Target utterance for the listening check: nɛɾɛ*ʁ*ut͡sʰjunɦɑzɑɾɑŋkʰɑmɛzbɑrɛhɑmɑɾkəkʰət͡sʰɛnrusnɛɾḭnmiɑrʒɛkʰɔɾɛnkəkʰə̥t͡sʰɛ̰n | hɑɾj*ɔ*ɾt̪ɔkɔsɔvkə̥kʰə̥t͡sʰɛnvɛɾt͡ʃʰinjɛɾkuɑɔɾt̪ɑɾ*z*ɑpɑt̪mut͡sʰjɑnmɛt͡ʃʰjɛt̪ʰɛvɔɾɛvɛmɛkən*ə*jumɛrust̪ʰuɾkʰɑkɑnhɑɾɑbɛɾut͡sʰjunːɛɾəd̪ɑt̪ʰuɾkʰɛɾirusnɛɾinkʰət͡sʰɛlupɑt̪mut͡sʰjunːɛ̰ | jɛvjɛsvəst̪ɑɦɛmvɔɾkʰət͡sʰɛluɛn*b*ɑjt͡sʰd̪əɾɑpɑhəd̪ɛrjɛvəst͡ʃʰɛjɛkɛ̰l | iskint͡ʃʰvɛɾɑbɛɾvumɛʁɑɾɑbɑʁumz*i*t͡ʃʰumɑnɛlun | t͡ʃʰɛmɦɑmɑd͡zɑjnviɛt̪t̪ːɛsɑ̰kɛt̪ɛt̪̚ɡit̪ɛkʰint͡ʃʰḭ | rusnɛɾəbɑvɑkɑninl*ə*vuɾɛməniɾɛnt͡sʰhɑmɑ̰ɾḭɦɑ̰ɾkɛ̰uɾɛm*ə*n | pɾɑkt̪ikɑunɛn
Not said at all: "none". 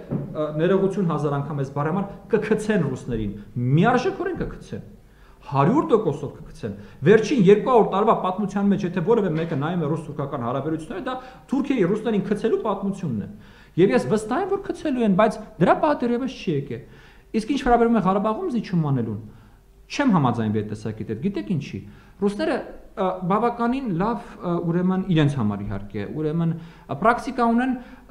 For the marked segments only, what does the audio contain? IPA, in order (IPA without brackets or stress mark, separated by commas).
ʁ, u, v, ɑ, b, i, ɑ, ə